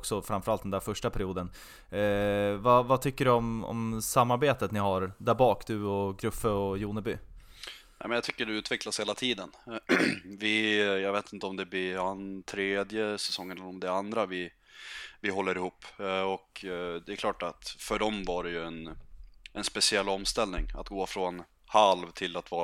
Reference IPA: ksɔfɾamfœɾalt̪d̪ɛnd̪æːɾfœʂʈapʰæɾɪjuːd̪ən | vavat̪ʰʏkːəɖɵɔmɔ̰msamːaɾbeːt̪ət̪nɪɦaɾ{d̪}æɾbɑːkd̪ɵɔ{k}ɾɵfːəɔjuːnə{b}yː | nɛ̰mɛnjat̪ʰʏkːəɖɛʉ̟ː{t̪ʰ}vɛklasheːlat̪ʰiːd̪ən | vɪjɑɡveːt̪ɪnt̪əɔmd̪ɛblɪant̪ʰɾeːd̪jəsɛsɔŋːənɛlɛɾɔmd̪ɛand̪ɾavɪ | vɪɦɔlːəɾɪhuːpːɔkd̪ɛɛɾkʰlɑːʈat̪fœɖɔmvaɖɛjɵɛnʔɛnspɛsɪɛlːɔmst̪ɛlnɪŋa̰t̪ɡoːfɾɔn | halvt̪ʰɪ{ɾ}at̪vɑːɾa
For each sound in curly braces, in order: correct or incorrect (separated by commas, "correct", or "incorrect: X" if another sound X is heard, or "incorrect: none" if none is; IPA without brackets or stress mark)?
correct, incorrect: ɡ, correct, incorrect: t̪, incorrect: l